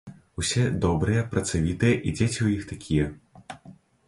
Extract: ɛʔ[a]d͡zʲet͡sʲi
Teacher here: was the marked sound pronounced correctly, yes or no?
no